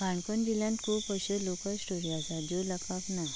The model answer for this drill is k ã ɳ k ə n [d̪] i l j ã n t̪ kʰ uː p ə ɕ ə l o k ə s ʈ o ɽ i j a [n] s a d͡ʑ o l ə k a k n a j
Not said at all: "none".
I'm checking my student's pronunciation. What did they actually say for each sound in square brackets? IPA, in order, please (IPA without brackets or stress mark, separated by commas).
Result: d̪, none